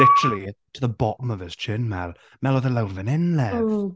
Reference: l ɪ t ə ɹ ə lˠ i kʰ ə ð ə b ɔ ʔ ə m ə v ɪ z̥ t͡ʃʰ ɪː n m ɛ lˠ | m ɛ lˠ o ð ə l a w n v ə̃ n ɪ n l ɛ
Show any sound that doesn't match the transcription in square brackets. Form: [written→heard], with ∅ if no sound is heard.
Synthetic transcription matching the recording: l ɪ t ə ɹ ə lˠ i [kʰ→tʰ] ə ð ə b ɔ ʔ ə m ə v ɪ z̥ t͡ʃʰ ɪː n m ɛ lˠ | m ɛ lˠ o ð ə l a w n v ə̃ n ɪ n l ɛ